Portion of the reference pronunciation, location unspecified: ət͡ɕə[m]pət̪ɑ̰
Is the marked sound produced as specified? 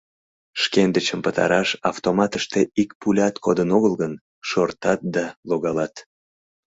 yes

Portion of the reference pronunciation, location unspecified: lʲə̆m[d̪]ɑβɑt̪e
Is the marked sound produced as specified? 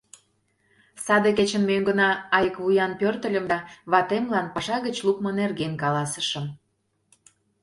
yes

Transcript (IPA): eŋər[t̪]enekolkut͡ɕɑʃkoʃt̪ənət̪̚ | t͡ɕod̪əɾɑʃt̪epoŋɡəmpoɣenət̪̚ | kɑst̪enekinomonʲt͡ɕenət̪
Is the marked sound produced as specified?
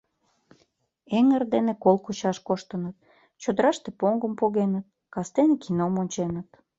no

